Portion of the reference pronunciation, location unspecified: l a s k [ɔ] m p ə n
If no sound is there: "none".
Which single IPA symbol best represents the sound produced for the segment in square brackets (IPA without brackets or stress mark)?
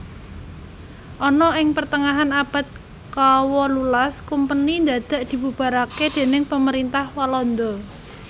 u